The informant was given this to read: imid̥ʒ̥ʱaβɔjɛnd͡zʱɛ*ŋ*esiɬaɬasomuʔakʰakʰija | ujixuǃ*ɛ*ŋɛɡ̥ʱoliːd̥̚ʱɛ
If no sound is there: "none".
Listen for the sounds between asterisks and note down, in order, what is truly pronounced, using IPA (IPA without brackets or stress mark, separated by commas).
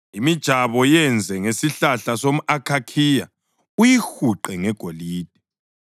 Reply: ŋ, ɛ